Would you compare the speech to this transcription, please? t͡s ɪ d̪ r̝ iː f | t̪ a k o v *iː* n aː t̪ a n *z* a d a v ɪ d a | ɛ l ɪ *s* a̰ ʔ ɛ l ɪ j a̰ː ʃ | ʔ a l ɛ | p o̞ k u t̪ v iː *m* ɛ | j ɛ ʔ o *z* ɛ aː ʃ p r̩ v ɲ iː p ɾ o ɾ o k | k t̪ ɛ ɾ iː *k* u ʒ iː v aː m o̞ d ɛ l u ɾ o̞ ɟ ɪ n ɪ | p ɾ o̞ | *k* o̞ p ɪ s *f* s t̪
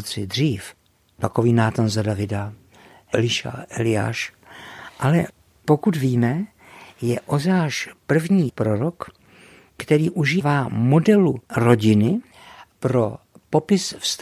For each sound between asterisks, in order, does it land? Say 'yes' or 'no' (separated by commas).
yes, yes, no, yes, yes, no, no, yes